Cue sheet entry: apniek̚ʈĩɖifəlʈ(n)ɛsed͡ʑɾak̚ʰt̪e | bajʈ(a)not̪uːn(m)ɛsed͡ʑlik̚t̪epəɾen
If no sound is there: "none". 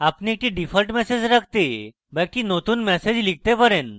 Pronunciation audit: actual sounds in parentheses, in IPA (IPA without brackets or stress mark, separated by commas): m, i, m